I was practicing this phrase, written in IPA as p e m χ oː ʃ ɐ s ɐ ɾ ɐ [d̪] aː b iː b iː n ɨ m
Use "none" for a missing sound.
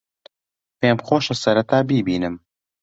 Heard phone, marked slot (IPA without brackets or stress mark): t̪